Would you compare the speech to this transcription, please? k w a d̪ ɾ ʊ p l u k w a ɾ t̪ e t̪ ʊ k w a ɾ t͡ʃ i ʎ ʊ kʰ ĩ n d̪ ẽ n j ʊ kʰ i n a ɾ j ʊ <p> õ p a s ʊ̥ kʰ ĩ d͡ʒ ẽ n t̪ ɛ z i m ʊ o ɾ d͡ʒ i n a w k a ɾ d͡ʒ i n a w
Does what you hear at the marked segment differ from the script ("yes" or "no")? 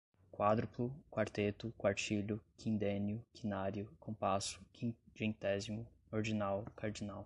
yes